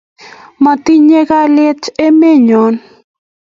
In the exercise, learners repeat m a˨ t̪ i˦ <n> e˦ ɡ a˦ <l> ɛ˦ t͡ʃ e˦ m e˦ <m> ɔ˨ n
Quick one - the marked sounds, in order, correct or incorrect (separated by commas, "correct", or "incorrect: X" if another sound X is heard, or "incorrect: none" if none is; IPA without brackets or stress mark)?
incorrect: ɲ, correct, incorrect: ɲ